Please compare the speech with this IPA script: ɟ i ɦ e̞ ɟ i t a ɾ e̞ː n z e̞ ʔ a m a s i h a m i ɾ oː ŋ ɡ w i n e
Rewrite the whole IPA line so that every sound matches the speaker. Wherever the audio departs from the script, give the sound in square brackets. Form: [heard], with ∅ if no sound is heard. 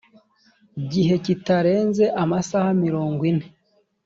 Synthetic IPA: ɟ i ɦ e̞ [c] i t a ɾ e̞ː n z e̞ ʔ a m a s [a] h a m i ɾ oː ŋ ɡ w i n e